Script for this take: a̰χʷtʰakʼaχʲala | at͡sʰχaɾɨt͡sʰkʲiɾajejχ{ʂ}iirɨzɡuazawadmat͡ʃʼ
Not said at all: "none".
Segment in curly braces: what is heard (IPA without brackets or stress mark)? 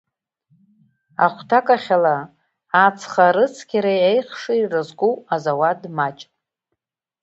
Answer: ʂ